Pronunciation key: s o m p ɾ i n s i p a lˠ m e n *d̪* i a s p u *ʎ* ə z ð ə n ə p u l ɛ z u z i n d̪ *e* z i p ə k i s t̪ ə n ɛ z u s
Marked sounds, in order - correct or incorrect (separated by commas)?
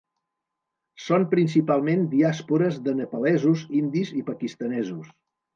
correct, incorrect, incorrect